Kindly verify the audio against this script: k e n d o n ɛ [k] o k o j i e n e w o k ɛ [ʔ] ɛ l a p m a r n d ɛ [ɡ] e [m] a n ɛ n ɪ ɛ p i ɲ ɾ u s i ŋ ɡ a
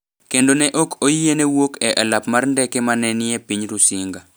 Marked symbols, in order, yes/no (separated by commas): no, yes, no, yes